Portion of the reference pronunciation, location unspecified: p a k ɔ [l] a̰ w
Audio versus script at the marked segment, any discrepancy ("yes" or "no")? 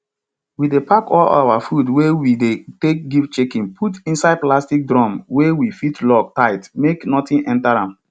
no